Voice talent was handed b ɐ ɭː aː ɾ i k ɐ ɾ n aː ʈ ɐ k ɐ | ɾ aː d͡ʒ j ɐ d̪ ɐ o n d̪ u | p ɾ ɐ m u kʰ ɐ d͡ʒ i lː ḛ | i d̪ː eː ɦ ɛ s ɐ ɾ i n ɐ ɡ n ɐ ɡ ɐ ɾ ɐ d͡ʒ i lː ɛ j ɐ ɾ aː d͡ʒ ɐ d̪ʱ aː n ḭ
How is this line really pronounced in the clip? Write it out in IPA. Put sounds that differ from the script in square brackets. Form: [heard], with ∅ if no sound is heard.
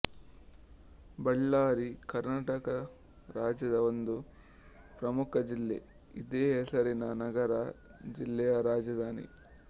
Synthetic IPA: b ɐ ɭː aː ɾ i k ɐ ɾ n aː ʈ ɐ k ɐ | ɾ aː d͡ʒ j ɐ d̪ ɐ o n d̪ u | p ɾ ɐ m u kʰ ɐ d͡ʒ i lː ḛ | i [d̪] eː ɦ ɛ s ɐ ɾ i n ɐ [∅] n ɐ ɡ ɐ ɾ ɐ d͡ʒ i lː ɛ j ɐ ɾ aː d͡ʒ ɐ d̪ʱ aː n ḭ